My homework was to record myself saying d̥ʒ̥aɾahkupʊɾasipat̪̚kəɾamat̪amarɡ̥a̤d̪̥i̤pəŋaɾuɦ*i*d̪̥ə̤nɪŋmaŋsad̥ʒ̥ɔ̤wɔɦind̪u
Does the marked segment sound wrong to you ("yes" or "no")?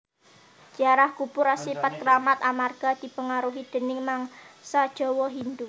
no